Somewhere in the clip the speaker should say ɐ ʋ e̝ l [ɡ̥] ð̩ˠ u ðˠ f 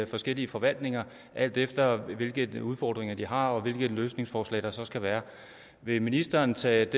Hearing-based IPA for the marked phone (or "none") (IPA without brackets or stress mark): ɡ̥